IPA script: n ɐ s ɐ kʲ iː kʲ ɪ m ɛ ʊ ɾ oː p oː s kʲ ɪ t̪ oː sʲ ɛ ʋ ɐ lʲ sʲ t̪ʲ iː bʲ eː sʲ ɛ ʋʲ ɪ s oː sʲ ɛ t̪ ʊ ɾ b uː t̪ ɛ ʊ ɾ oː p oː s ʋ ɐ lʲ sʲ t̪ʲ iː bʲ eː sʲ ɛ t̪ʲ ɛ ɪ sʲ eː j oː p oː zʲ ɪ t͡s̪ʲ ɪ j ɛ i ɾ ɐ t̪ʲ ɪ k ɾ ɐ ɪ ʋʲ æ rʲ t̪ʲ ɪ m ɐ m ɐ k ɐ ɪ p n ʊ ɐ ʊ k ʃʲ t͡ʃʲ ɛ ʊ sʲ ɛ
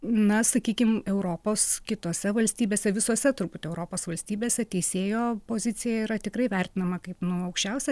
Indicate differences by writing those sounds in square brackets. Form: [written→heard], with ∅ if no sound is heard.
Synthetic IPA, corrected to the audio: n ɐ s ɐ kʲ iː kʲ ɪ m ɛ ʊ ɾ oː p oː s kʲ ɪ t̪ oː sʲ ɛ ʋ ɐ lʲ sʲ t̪ʲ iː bʲ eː sʲ ɛ ʋʲ ɪ s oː sʲ ɛ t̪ ʊ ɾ b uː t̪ ɛ ʊ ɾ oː p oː s ʋ ɐ lʲ sʲ t̪ʲ iː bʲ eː sʲ ɛ t̪ʲ ɛ ɪ sʲ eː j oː p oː zʲ ɪ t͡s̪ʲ ɪ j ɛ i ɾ ɐ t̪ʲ ɪ k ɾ ɐ ɪ ʋʲ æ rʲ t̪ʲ ɪ [m→n] ɐ m ɐ k ɐ ɪ p n ʊ ɐ ʊ k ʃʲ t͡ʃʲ ɛ ʊ sʲ ɛ